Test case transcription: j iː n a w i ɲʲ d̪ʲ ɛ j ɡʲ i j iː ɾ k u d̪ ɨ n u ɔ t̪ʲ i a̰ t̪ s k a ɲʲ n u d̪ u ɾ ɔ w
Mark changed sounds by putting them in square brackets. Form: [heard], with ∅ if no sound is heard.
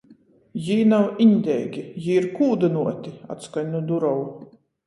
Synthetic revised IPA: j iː n a w i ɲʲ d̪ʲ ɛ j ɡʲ i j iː ɾ k [uː] d̪ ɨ n u ɔ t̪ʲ i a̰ t̪ s k a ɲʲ n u d̪ u ɾ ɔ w